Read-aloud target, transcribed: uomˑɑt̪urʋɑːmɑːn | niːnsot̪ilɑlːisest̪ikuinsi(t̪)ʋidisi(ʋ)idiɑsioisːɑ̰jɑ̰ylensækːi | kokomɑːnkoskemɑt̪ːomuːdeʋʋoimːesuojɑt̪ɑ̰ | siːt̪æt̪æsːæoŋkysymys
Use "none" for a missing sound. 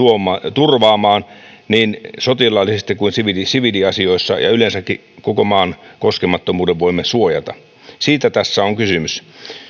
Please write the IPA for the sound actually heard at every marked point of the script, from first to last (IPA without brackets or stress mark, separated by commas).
none, ʋ